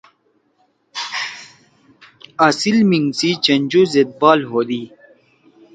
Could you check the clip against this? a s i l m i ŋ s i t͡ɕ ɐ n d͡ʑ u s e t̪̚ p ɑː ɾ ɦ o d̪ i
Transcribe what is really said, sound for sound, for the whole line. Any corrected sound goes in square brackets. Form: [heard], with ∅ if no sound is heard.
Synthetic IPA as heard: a s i l m i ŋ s i t͡ɕ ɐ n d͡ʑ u [z] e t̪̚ [b] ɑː [l] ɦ o d̪ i